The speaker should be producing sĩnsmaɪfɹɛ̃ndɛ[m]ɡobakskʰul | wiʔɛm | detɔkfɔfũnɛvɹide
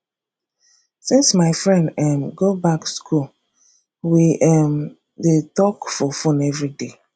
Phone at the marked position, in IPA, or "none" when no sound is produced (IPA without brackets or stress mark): m